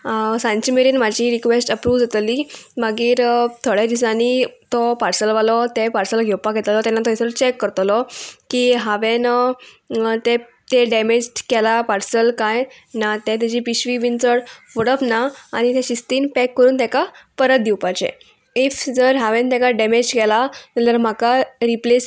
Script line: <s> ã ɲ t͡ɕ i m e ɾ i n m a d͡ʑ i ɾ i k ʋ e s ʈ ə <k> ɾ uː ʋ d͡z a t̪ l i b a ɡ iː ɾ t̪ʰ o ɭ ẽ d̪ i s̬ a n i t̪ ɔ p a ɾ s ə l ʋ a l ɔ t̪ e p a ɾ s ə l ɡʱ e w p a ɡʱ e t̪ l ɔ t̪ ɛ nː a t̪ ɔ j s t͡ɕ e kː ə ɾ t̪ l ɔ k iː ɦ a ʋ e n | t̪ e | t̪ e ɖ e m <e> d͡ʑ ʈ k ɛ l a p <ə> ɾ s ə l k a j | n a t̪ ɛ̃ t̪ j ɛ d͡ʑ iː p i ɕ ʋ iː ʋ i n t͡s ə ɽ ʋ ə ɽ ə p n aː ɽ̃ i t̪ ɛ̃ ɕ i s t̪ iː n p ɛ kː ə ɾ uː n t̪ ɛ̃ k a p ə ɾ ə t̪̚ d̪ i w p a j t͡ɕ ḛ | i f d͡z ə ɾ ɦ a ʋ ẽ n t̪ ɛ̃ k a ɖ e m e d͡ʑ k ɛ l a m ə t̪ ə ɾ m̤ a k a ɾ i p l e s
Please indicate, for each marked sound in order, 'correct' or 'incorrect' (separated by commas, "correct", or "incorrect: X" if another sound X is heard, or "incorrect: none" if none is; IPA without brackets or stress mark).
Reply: correct, incorrect: p, correct, incorrect: a